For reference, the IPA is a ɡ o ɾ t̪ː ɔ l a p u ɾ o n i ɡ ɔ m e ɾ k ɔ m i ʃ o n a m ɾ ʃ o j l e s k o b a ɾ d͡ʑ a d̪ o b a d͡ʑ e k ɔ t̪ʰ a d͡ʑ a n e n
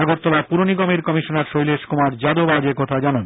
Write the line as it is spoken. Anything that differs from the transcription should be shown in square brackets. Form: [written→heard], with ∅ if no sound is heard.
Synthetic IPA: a ɡ o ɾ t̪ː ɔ l a p u ɾ o n i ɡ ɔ m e ɾ k ɔ m i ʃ o n a [m→∅] ɾ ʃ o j l e [s→ʃ] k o [b→m] a ɾ d͡ʑ a d̪ o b a d͡ʑ e k ɔ t̪ʰ a d͡ʑ a n [e→a] n